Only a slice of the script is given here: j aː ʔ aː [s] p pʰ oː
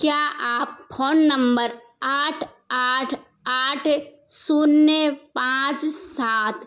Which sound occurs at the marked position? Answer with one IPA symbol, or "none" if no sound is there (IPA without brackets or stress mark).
none